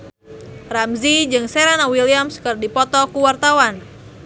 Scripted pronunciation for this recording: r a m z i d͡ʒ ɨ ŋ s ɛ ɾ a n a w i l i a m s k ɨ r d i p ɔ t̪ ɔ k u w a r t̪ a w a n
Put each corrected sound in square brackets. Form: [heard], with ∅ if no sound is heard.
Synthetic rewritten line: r a m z i d͡ʒ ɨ ŋ s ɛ ɾ a n a w i l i a m s k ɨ r d i p ɔ t̪ ɔ k u w a r t̪ a w a n